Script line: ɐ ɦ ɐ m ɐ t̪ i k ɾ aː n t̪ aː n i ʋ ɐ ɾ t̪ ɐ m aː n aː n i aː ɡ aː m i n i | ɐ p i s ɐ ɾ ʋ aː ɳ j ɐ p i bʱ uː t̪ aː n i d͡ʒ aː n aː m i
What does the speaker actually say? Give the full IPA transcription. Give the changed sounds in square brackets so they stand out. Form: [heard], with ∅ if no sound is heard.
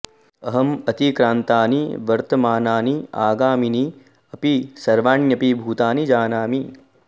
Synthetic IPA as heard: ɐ ɦ ɐ m ɐ t̪ i k ɾ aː n t̪ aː n i ʋ ɐ ɾ t̪ ɐ m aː n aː n i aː ɡ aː m i n i | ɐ p i s ɐ ɾ ʋ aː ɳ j ɐ p i bʱ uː t̪ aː n i d͡ʒ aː n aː m i

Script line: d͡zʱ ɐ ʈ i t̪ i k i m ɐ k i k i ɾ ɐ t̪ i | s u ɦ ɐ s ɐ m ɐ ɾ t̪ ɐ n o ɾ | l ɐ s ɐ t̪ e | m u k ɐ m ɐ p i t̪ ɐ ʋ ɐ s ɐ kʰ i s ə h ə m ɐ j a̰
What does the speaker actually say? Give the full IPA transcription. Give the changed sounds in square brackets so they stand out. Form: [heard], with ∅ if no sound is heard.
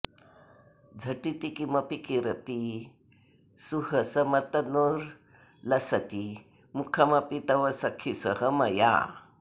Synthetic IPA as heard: d͡zʱ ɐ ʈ i t̪ i k i m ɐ [p] i k i ɾ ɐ t̪ i | s u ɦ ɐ s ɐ m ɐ [∅] t̪ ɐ n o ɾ | l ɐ s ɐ t̪ [i] | m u [kʰ] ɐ m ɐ p i t̪ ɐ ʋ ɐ s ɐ kʰ i s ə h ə m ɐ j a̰

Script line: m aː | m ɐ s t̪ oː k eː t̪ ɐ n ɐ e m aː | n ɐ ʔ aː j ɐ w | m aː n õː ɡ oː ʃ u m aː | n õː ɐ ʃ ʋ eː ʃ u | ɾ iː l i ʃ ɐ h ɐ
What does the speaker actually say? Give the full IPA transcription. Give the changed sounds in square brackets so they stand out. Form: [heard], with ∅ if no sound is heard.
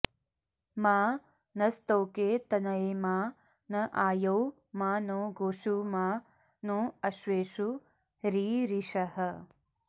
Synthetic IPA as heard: m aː | [n] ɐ s t̪ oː k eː t̪ ɐ n ɐ e m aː | n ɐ ʔ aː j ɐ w | m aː n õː ɡ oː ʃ u m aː | n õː ɐ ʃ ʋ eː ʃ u | ɾ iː [ɾ] i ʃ ɐ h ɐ

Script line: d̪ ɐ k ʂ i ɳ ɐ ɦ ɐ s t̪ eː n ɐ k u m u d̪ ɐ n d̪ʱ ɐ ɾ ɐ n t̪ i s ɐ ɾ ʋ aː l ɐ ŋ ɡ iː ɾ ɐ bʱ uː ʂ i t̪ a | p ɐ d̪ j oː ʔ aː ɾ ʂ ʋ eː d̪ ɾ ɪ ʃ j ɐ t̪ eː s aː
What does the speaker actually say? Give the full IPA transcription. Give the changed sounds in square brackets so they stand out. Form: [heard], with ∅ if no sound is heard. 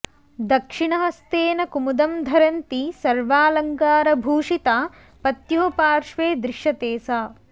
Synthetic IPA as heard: d̪ ɐ k ʂ i ɳ ɐ ɦ ɐ s t̪ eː n ɐ k u m u d̪ ɐ [m] d̪ʱ ɐ ɾ ɐ n t̪ i s ɐ ɾ ʋ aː l ɐ ŋ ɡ [aː] ɾ ɐ bʱ uː ʂ i t̪ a | p ɐ [t̪] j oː [p] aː ɾ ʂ ʋ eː d̪ ɾ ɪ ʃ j ɐ t̪ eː s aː

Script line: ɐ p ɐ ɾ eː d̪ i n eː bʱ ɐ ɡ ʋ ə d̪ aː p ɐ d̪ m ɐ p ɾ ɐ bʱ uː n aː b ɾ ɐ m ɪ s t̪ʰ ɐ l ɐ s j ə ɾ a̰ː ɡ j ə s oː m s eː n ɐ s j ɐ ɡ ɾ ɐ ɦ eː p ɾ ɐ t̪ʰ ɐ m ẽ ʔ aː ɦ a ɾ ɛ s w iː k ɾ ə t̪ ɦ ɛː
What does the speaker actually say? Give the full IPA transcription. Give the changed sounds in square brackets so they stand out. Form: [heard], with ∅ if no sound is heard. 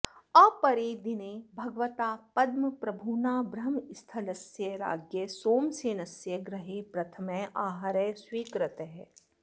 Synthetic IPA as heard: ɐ p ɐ ɾ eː d̪ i n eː bʱ ɐ ɡ ʋ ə [t̪] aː p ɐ d̪ m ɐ p ɾ ɐ bʱ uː n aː b ɾ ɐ m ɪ s t̪ʰ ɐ l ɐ s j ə ɾ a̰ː ɡ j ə s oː m s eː n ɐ s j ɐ ɡ ɾ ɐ ɦ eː p ɾ ɐ t̪ʰ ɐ m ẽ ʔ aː ɦ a ɾ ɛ s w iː k ɾ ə t̪ ɦ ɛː

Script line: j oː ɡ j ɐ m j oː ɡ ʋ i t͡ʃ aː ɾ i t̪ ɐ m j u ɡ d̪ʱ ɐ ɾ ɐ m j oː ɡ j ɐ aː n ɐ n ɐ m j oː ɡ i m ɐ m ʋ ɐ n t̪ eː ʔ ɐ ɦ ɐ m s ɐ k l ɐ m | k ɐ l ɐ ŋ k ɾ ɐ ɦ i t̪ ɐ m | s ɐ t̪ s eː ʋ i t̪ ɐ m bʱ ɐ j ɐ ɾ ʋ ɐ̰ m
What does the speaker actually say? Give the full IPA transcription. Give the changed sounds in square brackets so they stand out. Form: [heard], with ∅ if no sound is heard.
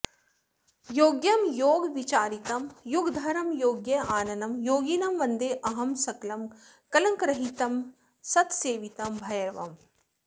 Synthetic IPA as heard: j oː ɡ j ɐ m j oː ɡ ʋ i t͡ʃ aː ɾ i t̪ ɐ m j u ɡ d̪ʱ ɐ ɾ ɐ m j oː ɡ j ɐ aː n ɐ n ɐ m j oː ɡ i [n] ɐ m ʋ ɐ n [d̪] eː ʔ ɐ ɦ ɐ m s ɐ k l ɐ m | k ɐ l ɐ ŋ k ɾ ɐ ɦ i t̪ ɐ m | s ɐ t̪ s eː ʋ i t̪ ɐ m bʱ ɐ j ɐ ɾ ʋ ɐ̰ m

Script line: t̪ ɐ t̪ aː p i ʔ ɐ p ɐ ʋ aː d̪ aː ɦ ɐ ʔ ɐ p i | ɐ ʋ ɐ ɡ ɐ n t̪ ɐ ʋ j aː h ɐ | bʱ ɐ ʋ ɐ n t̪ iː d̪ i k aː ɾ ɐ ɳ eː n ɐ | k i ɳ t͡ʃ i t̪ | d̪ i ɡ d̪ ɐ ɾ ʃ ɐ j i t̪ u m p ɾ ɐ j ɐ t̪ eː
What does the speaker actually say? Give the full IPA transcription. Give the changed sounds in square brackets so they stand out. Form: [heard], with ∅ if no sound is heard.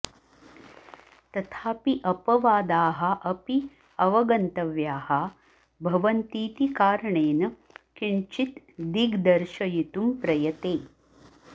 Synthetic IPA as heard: t̪ ɐ [t̪ʰ] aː p i ʔ ɐ p ɐ ʋ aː d̪ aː ɦ ɐ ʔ ɐ p i | ɐ ʋ ɐ ɡ ɐ n t̪ ɐ ʋ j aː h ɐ | bʱ ɐ ʋ ɐ n t̪ iː [t̪] i k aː ɾ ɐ ɳ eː n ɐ | k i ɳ t͡ʃ i t̪ | d̪ i ɡ d̪ ɐ ɾ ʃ ɐ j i t̪ u m p ɾ ɐ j ɐ t̪ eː

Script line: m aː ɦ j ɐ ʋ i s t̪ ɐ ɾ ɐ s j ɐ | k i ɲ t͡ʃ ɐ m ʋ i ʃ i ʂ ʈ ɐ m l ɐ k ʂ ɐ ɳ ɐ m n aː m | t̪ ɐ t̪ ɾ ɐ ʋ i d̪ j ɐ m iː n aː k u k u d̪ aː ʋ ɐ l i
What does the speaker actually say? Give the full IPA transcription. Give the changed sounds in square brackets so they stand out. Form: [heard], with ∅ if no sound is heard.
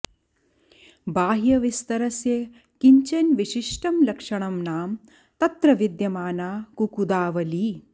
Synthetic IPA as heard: [b] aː ɦ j ɐ ʋ i s t̪ ɐ ɾ ɐ s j ɐ | k i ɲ t͡ʃ ɐ [n] ʋ i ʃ i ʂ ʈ ɐ m l ɐ k ʂ ɐ ɳ ɐ m n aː m | t̪ ɐ t̪ ɾ ɐ ʋ i d̪ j ɐ m [aː] n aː k u k u d̪ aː ʋ ɐ l i

